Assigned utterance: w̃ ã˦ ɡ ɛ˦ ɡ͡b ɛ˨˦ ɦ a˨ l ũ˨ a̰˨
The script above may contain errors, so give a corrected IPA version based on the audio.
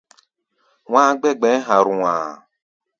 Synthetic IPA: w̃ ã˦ ɡ͡b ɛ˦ ɡ͡b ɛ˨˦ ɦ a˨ ɾ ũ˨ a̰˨